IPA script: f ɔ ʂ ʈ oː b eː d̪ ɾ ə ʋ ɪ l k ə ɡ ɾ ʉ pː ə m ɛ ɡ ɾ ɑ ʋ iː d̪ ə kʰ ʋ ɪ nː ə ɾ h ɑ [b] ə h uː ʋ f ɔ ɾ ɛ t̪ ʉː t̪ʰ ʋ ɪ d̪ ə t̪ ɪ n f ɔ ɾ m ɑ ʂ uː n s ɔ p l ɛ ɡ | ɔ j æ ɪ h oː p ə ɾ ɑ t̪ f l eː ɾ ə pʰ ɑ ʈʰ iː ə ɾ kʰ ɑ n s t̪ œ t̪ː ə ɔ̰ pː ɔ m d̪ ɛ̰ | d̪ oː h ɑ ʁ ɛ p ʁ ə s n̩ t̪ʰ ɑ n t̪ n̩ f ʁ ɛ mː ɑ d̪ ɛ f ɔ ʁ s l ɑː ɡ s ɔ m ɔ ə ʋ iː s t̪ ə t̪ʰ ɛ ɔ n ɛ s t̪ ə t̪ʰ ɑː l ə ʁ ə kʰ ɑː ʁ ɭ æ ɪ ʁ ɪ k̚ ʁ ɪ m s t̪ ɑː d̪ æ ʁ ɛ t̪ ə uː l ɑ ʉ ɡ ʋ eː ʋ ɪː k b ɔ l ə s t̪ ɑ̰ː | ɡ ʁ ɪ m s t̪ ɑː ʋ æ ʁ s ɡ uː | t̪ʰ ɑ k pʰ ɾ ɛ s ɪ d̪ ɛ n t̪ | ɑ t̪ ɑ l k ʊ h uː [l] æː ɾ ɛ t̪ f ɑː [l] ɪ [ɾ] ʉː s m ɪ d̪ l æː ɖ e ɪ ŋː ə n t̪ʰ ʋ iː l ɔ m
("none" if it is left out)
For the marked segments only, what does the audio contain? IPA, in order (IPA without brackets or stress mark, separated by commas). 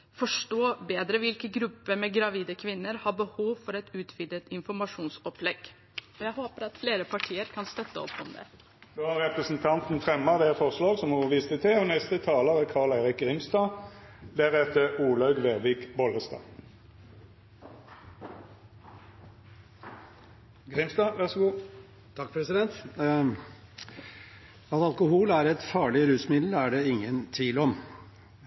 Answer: b, l, ɭ, ɾ